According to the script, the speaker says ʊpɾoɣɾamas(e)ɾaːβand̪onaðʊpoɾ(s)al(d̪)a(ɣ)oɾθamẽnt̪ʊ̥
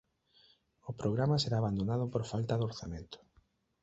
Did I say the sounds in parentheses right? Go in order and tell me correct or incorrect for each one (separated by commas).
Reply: correct, incorrect, incorrect, incorrect